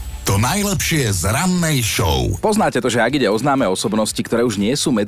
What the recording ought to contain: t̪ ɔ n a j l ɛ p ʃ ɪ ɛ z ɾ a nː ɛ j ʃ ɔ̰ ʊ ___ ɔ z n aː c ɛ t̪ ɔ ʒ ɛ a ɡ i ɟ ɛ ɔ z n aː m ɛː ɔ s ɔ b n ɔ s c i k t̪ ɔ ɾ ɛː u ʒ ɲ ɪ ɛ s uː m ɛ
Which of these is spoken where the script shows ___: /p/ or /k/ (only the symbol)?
p